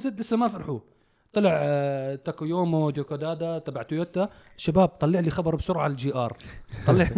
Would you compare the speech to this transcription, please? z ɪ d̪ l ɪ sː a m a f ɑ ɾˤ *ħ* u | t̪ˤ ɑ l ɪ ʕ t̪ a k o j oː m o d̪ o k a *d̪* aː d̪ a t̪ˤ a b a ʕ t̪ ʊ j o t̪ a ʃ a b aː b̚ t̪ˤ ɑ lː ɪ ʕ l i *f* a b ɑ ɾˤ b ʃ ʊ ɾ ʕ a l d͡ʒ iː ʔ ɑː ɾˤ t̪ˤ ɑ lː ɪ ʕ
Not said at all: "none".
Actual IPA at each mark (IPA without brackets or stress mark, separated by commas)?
ħ, d̪, x